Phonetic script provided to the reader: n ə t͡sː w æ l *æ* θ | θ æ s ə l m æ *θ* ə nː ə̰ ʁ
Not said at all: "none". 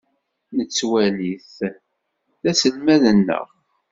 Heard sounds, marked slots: i, ð

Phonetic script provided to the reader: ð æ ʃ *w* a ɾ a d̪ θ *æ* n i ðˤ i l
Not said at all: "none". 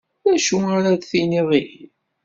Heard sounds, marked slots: u, i

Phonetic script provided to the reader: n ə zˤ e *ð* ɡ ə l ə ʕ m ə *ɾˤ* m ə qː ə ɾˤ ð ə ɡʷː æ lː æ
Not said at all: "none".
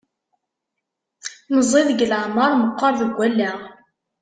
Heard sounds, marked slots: ð, ɾˤ

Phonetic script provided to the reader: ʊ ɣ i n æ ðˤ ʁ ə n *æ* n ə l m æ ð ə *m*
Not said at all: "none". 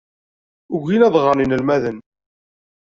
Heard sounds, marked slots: i, n

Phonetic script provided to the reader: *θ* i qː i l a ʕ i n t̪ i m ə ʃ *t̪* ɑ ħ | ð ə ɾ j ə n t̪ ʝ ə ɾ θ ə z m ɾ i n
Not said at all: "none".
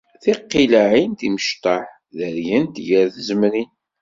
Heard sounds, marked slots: θ, t̪

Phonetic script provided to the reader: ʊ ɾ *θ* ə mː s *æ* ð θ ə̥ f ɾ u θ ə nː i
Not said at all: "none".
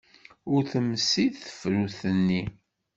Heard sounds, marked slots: θ, i

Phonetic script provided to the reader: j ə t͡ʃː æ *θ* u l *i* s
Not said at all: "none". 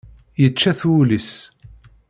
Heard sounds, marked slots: θ, i

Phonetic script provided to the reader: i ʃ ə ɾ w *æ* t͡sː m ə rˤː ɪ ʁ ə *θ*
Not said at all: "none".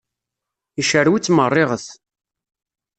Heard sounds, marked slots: i, θ

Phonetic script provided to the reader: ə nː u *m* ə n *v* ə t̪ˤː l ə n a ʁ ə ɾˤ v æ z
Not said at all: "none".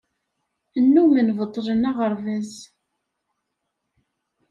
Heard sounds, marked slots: m, v

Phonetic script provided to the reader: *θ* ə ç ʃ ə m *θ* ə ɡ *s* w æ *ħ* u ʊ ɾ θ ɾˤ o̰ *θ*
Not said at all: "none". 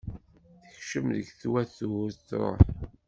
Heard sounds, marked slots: θ, ð, θ, θ, ħ

